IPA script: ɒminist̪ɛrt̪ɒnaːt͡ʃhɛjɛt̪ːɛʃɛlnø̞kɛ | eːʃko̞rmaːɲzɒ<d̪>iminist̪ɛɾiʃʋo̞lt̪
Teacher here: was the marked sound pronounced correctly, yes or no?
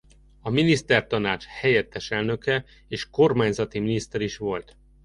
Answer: no